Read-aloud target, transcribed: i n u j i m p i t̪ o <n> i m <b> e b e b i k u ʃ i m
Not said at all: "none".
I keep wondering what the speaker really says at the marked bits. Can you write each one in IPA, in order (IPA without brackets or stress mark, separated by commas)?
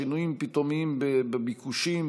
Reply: m, b